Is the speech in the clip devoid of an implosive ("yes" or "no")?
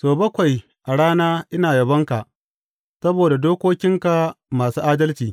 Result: yes